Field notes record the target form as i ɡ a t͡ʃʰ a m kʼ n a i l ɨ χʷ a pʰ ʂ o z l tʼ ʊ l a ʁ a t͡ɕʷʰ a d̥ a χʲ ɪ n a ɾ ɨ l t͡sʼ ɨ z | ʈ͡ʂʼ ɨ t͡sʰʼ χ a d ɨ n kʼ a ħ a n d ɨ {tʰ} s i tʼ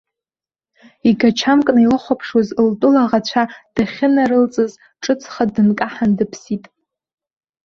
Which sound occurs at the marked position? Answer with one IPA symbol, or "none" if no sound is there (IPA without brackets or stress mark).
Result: pʰ